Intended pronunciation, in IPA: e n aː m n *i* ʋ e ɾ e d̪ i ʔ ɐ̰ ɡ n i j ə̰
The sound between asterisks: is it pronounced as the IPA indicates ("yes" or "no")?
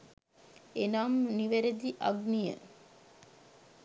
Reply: yes